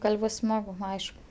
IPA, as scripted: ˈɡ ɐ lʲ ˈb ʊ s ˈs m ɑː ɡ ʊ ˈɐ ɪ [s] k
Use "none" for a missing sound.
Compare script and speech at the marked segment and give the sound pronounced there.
ʃ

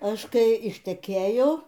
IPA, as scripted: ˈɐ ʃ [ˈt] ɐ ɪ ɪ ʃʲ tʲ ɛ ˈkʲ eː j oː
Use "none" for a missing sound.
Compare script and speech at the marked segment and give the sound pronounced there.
k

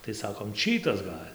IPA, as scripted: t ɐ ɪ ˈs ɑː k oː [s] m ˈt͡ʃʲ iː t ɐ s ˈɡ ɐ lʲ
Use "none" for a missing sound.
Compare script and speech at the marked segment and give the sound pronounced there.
none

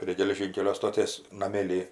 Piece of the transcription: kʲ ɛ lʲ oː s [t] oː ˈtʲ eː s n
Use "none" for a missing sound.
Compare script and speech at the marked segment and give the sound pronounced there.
t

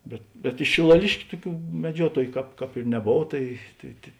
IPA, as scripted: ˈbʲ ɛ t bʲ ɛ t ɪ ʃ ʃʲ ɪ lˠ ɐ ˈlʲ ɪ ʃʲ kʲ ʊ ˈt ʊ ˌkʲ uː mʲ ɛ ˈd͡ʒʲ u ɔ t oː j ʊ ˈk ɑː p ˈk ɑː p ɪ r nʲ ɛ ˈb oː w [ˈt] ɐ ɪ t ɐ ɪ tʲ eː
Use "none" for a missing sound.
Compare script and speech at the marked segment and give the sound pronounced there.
t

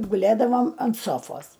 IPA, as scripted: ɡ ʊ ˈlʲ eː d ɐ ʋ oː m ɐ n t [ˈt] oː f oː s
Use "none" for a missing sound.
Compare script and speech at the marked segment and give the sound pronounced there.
s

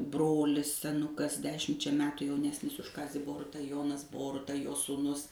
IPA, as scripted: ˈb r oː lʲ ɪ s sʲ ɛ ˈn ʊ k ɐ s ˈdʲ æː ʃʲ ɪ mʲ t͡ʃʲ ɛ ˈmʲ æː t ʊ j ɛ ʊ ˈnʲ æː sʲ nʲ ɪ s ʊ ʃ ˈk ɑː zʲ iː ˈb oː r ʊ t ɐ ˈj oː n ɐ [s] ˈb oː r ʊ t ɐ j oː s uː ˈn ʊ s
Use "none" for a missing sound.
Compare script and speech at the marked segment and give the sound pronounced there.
s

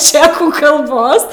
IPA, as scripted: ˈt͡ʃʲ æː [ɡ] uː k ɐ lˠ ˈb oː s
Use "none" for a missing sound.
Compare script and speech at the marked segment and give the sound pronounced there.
k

